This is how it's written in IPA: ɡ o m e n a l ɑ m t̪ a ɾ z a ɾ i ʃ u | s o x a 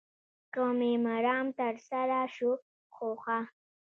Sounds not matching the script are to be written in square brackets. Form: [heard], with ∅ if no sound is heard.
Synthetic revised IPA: [k] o m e [m] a [ɾ] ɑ m t̪ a ɾ [s] a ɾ [a] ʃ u | [x] o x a